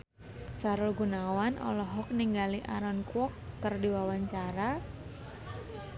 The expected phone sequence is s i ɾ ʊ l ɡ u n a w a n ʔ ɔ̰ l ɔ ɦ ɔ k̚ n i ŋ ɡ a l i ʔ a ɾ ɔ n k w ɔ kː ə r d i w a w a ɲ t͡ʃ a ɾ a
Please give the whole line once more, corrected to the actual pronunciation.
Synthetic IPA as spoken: s a ɾ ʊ l ɡ u n a w a n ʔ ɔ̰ l ɔ ɦ ɔ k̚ n i ŋ ɡ a l i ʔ a ɾ ɔ n k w ɔ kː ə r d i w a w a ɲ t͡ʃ a ɾ a